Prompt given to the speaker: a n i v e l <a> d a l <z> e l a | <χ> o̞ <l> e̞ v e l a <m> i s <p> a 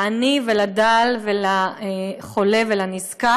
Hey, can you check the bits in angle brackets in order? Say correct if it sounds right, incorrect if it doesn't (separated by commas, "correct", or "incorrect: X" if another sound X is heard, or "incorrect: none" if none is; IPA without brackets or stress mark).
correct, incorrect: v, correct, correct, incorrect: n, incorrect: k